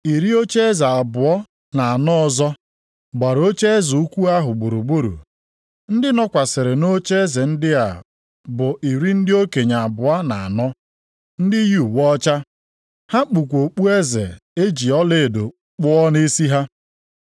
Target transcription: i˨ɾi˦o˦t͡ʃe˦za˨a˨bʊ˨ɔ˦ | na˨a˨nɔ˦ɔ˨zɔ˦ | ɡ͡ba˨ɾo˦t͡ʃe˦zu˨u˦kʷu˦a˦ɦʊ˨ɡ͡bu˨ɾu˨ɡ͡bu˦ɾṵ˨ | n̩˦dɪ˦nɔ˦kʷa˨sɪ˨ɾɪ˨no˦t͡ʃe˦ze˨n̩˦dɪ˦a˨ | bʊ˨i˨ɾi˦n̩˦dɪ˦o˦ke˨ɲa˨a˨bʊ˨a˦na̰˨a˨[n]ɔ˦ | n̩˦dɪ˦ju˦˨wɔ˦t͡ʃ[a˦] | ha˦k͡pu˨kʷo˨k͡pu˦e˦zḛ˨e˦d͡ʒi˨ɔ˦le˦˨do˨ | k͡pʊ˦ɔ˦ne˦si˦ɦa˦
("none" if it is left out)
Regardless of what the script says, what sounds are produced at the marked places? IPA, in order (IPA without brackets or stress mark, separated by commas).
n, a˦